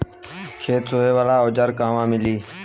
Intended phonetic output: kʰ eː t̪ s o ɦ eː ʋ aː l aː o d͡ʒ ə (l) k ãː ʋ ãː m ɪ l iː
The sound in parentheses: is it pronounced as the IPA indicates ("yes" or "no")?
no